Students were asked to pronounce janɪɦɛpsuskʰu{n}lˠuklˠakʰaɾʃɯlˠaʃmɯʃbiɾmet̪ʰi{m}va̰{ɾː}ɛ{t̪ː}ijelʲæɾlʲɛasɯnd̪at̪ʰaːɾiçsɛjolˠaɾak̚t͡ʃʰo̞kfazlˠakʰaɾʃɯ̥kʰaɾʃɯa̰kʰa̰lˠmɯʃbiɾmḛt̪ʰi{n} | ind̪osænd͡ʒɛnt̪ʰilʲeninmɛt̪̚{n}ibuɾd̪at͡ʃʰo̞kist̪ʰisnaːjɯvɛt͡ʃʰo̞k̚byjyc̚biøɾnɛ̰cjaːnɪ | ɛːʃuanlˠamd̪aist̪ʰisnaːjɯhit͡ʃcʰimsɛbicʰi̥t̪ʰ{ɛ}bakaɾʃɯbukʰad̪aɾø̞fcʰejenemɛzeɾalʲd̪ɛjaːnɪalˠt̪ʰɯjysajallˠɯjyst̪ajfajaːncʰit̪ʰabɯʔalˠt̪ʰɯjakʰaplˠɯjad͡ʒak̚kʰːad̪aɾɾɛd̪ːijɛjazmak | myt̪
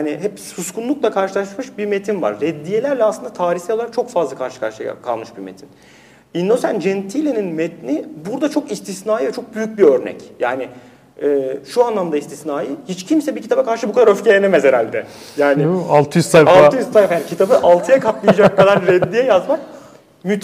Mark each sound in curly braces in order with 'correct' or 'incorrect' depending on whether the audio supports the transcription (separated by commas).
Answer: correct, incorrect, correct, incorrect, correct, correct, incorrect